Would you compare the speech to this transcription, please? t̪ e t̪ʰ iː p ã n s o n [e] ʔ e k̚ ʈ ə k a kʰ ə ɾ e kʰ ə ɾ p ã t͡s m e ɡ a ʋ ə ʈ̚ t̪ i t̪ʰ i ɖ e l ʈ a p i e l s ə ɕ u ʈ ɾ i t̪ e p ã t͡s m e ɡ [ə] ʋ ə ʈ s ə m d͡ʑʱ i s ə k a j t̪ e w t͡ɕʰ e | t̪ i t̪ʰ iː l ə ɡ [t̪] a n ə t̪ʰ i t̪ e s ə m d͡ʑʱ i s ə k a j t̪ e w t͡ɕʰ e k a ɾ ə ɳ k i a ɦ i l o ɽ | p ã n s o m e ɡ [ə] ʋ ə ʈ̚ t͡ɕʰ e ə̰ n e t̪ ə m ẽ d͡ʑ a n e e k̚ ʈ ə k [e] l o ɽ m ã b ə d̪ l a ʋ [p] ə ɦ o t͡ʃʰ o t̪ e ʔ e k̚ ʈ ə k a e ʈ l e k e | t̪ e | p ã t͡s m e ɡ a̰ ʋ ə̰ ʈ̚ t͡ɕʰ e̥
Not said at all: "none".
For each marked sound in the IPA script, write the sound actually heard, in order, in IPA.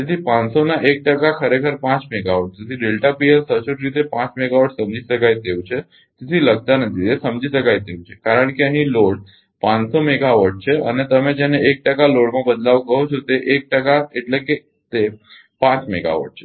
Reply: a, a, t̪, a, a, k

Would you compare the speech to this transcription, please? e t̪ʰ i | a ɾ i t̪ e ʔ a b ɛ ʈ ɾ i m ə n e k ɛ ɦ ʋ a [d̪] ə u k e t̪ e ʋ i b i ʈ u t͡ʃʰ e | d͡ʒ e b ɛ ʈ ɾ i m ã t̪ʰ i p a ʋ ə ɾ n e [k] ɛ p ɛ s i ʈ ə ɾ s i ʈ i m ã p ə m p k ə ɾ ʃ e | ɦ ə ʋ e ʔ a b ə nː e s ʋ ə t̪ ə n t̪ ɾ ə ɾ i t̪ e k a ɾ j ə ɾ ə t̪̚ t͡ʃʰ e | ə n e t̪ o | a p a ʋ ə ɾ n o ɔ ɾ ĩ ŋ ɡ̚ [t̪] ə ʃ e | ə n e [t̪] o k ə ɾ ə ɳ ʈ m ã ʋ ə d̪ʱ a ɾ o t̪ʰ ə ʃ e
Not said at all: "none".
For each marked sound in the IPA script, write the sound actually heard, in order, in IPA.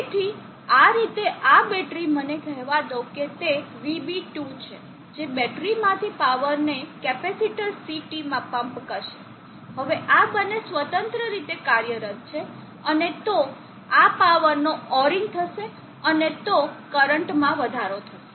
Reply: d̪, k, t̪ʰ, t̪

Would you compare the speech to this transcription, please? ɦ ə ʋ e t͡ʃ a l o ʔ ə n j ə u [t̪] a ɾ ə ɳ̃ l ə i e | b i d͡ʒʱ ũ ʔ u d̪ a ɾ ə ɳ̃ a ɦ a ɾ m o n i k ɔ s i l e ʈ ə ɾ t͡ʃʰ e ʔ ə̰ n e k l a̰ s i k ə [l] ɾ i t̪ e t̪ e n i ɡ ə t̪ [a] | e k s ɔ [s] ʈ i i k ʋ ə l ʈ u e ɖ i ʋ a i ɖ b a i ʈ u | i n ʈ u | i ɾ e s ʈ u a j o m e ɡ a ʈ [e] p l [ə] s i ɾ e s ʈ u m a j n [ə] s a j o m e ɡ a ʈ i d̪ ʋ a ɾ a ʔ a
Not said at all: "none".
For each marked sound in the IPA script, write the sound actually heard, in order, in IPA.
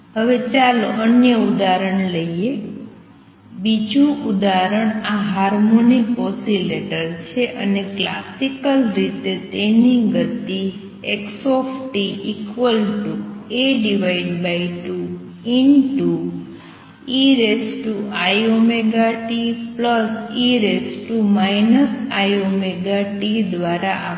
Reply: d̪, l, i, f, i, ə, ə

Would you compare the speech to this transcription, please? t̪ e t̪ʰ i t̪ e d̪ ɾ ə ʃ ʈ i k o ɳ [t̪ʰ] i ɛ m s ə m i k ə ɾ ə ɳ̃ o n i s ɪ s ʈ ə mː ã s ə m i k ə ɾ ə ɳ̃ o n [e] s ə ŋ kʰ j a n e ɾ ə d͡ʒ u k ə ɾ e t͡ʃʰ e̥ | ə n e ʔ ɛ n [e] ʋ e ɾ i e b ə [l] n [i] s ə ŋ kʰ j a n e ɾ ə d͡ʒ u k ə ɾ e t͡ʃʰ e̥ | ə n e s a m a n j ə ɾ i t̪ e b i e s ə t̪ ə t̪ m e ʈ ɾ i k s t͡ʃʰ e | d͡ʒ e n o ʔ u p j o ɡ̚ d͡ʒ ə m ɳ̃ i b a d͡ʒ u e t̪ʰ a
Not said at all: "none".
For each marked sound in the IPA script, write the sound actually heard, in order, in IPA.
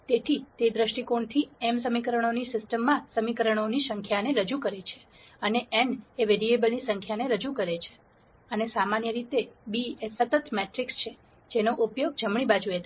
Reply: t̪ʰ, i, e, l, i

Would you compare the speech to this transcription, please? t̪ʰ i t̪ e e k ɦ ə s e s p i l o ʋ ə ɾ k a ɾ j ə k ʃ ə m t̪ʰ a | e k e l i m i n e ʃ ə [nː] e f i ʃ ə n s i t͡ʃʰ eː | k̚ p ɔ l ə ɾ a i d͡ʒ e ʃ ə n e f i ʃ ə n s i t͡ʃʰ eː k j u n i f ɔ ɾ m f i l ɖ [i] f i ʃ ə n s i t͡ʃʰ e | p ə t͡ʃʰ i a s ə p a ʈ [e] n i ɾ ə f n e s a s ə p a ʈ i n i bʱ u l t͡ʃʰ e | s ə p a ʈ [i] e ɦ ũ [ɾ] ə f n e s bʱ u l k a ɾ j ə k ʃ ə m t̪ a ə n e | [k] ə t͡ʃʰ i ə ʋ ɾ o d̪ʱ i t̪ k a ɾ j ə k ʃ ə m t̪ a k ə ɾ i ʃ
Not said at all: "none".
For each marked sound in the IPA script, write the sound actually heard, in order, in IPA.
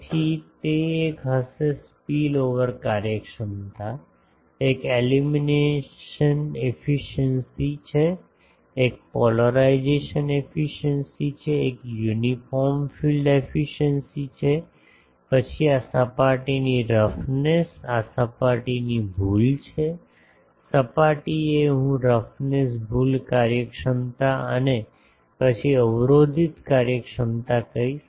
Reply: n, e, i, i, ɾ, p

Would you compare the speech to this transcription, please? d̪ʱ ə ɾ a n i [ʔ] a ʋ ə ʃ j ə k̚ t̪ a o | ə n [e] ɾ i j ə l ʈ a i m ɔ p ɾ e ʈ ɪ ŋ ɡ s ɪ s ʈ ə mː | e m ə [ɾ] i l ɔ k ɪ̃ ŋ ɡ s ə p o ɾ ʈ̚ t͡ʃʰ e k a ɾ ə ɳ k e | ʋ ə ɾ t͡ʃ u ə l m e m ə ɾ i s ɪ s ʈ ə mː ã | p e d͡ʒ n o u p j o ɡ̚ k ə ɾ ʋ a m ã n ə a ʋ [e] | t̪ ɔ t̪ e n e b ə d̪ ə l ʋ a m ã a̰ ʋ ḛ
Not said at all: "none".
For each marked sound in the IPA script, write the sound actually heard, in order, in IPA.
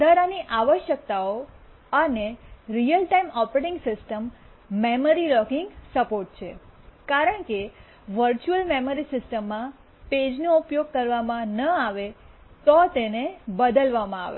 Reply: ʔ, e, ɾ, e

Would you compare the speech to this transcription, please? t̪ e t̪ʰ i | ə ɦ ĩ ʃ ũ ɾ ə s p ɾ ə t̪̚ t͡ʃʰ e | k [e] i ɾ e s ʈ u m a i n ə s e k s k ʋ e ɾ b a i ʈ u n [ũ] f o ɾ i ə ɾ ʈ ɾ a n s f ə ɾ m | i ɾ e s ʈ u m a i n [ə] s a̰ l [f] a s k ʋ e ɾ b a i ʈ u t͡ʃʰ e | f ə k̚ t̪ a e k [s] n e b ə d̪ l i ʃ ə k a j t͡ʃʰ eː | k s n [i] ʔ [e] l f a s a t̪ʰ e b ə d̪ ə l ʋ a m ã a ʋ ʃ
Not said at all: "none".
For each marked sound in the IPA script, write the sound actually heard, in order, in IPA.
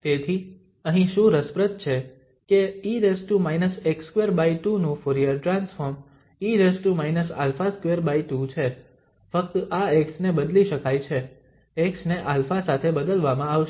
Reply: e, ũ, ə, f, s, e, a

